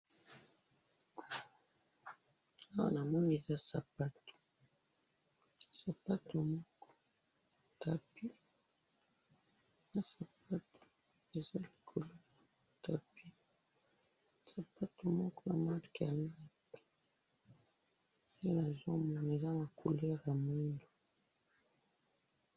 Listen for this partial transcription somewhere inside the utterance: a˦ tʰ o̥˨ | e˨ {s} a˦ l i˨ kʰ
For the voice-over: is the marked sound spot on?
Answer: no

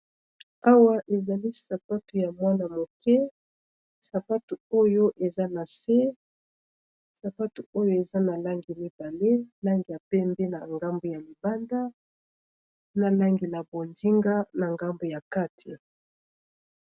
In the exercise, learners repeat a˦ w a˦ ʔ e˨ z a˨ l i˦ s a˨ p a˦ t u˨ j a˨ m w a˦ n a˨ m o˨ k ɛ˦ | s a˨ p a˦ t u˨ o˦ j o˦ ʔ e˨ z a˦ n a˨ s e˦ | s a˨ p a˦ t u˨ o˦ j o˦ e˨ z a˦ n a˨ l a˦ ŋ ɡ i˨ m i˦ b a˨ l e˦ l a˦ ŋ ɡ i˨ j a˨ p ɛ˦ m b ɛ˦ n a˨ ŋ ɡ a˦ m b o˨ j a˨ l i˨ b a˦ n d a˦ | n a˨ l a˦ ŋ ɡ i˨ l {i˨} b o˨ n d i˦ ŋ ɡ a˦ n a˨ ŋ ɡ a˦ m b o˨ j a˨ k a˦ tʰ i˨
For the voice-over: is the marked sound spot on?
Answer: no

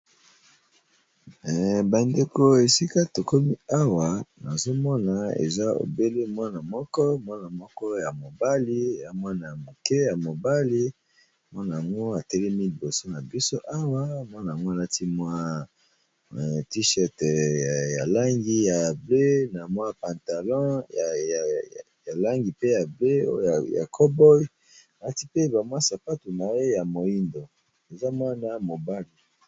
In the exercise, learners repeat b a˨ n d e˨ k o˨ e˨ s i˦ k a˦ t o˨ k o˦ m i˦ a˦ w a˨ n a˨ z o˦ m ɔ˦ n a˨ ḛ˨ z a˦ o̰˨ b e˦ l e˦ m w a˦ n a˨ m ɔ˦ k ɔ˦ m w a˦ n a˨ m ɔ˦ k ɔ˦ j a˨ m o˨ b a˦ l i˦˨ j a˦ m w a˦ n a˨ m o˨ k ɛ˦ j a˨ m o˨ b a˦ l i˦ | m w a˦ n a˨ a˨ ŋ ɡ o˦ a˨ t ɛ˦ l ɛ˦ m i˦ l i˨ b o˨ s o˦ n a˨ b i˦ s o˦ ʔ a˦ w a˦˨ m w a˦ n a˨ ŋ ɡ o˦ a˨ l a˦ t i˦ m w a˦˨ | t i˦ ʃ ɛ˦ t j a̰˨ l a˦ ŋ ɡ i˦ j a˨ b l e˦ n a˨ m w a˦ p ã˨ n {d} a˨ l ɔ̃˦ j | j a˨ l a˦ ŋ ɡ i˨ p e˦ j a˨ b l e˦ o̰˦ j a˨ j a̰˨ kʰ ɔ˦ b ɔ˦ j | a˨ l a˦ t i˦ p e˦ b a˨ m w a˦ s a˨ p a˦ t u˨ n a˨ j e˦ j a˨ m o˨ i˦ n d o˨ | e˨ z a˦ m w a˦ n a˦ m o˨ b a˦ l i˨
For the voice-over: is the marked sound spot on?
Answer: no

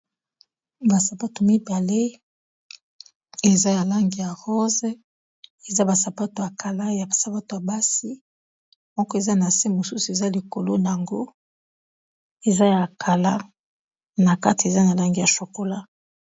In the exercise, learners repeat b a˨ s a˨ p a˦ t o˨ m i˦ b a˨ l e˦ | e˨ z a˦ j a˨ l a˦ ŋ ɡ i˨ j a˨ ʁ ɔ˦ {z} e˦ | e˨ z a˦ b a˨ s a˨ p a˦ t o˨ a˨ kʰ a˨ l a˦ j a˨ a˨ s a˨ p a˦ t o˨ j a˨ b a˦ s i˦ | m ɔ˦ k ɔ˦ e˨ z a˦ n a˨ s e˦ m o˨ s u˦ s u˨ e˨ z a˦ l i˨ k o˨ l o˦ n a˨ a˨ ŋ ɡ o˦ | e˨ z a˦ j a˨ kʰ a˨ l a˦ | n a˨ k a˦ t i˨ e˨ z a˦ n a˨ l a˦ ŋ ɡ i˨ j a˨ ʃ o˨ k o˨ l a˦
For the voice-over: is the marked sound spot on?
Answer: yes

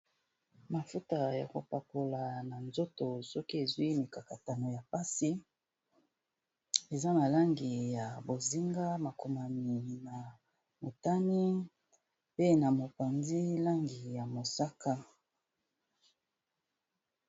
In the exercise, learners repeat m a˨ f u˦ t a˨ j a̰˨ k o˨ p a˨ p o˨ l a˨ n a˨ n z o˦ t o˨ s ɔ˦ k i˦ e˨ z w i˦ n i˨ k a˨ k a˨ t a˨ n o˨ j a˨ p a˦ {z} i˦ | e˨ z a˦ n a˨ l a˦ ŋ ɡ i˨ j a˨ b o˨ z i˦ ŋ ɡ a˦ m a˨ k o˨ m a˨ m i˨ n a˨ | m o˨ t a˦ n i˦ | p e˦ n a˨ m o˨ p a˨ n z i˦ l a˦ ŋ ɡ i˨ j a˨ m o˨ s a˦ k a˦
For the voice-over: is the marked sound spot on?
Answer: no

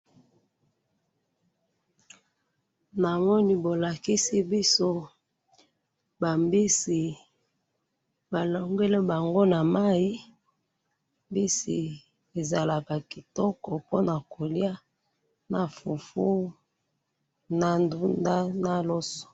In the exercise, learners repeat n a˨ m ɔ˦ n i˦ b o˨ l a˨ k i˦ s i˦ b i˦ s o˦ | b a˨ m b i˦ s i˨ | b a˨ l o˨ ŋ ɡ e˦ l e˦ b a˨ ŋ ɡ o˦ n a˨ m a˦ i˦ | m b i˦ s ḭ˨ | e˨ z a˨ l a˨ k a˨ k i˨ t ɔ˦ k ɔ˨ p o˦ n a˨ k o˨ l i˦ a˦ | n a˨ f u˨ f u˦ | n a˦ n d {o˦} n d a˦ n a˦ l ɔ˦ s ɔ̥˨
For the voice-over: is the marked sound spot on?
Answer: no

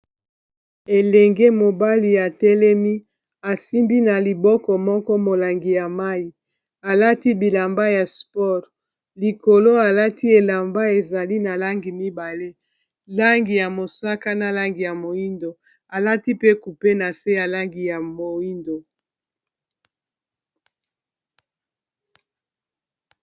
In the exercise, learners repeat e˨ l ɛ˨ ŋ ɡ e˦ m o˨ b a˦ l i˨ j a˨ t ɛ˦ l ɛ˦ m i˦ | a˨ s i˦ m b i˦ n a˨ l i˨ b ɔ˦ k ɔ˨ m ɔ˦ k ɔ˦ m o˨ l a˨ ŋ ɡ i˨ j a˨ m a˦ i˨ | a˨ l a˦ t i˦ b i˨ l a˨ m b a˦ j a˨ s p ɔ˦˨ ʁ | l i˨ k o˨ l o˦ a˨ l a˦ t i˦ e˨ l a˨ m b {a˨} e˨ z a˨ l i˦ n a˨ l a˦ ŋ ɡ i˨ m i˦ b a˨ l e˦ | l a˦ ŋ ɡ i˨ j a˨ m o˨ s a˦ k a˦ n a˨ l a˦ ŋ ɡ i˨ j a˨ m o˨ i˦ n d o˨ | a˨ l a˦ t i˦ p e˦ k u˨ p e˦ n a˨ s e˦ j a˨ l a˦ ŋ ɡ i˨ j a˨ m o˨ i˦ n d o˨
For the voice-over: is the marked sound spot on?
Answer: no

